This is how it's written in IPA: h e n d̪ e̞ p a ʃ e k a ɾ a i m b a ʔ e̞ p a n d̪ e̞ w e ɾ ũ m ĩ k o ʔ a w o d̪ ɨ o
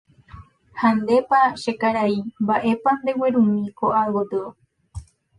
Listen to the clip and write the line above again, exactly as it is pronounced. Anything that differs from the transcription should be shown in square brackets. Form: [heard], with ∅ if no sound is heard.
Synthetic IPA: h [a] n d̪ e̞ p a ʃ e k a ɾ a i m b a ʔ e̞ p a n d̪ e̞ w e ɾ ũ m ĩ k o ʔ a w o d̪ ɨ o